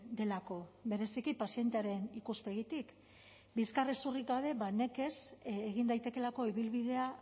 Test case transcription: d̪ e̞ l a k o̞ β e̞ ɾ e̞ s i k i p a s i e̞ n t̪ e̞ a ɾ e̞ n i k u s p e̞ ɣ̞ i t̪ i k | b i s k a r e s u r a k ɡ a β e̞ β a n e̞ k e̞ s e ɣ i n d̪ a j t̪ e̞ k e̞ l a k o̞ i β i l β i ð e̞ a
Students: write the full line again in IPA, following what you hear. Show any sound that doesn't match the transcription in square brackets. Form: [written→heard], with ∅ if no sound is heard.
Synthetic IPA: d̪ e̞ l a k o̞ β e̞ ɾ e̞ s i k i p a s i e̞ n t̪ e̞ a ɾ e̞ n i k u s p e̞ ɣ̞ i t̪ i k | b i s k a r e s u r [a→i] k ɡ a β e̞ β a n e̞ k e̞ s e ɣ i n d̪ a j t̪ e̞ k e̞ l a k o̞ i β i l β i ð e̞ a

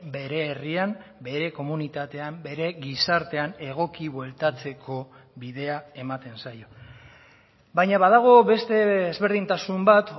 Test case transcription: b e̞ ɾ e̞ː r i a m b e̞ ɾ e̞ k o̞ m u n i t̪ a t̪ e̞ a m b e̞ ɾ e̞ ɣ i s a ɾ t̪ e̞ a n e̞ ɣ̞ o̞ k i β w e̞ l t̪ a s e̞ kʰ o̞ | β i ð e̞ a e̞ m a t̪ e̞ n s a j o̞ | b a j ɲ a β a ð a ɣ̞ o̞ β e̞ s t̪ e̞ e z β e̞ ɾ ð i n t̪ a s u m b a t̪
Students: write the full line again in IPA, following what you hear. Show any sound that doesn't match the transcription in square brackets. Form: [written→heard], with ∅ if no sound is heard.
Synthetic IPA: b e̞ ɾ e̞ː r i a m b e̞ ɾ e̞ k o̞ m u n i t̪ a t̪ e̞ a m b e̞ ɾ e̞ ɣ i s a ɾ t̪ e̞ a n e̞ ɣ̞ o̞ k i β w e̞ l t̪ a [s→t͡s] e̞ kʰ o̞ | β i ð e̞ a e̞ m a t̪ e̞ n s a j o̞ | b a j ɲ a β a ð a ɣ̞ o̞ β e̞ s t̪ e̞ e z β e̞ ɾ ð i n t̪ a s u m b a t̪

